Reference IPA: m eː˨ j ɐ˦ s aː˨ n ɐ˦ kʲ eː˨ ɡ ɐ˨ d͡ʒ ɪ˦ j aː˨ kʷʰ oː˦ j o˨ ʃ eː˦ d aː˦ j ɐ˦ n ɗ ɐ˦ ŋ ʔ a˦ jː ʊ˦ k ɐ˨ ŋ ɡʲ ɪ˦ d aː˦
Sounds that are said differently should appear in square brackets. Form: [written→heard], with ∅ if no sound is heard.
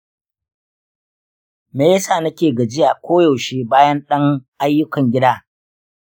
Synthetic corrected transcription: m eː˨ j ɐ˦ s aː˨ n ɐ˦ kʲ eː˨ ɡ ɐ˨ d͡ʒ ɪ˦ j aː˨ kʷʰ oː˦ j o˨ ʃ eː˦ [d→b] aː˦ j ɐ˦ n ɗ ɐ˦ ŋ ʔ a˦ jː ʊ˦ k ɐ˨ ŋ ɡʲ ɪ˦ d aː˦